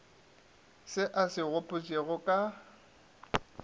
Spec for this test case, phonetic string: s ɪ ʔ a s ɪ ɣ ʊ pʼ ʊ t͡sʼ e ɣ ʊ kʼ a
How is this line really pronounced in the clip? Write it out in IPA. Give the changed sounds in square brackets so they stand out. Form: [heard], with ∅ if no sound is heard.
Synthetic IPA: s ɪ ʔ a s ɪ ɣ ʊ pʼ ʊ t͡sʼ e ɣ ʊ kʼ a